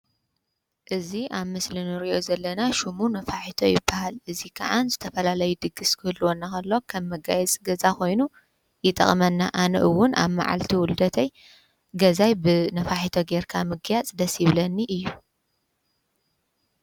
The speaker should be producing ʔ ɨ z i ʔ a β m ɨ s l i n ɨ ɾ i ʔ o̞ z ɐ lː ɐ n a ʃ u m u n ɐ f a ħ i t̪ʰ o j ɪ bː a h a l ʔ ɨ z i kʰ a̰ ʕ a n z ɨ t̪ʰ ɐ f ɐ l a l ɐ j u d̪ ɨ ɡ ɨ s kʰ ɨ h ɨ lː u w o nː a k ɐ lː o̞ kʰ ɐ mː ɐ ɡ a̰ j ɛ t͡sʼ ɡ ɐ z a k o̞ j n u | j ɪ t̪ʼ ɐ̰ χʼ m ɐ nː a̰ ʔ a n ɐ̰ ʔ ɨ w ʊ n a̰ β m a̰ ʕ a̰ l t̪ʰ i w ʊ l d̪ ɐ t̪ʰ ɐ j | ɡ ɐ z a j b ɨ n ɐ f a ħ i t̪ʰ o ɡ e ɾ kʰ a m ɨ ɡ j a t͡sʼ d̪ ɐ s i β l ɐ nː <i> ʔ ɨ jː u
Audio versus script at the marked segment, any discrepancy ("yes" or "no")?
no